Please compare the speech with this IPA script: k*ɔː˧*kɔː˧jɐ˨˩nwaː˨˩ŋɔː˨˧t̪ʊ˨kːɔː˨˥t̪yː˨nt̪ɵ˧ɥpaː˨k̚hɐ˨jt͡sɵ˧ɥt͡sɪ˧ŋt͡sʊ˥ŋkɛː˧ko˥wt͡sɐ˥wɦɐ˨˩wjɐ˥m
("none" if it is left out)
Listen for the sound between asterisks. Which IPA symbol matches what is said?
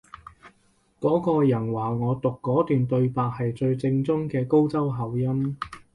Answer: ɔː˨˥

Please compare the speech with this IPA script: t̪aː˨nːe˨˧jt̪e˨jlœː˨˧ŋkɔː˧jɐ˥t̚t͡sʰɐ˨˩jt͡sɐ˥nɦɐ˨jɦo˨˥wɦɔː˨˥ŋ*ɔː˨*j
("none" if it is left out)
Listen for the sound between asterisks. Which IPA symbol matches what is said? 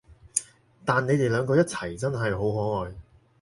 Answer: ɔː˨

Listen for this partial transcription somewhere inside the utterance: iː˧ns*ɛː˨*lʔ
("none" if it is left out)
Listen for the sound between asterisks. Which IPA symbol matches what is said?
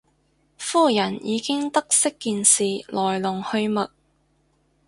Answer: iː˨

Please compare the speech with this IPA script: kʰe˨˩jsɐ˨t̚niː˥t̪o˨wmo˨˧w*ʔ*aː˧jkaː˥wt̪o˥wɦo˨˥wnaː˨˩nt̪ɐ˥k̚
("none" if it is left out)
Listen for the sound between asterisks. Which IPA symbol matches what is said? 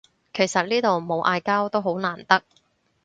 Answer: ʔ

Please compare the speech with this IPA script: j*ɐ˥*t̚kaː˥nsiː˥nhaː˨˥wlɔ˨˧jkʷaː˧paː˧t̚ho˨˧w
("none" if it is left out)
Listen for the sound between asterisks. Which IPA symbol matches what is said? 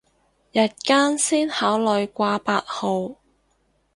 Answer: ɐ˨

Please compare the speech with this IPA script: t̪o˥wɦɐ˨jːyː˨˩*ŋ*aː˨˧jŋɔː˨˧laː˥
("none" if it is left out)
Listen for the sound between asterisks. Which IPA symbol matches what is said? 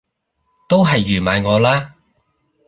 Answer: m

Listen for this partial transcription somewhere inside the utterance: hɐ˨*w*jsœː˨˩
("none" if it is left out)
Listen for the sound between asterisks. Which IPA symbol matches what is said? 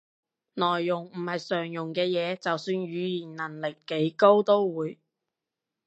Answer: none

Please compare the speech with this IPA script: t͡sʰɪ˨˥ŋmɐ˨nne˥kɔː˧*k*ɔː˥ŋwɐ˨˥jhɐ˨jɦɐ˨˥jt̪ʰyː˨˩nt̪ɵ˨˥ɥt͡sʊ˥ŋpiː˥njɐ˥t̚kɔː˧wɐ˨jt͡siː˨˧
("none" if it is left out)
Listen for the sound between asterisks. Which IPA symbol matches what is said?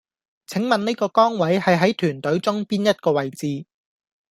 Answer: k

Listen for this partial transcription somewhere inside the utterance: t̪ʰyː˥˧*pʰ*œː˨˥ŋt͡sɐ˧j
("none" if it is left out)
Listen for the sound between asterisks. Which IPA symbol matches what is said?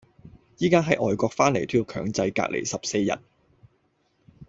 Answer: kʰ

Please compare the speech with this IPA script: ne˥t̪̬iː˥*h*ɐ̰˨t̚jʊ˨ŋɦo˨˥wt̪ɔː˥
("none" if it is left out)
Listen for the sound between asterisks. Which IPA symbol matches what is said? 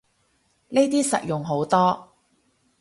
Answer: s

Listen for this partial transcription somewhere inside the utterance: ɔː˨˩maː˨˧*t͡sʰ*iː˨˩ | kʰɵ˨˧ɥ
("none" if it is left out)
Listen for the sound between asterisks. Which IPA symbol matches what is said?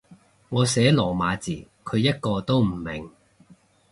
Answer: t͡s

